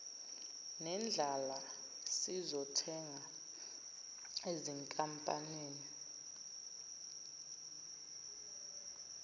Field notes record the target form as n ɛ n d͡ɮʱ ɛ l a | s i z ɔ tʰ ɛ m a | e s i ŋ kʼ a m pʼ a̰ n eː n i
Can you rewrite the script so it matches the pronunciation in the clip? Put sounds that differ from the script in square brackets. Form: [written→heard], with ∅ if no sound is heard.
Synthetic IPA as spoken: n ɛ n d͡ɮʱ [ɛ→a] l a | s i z ɔ tʰ ɛ [m→ŋ] a | e [s→z] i ŋ kʼ a m pʼ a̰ n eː n i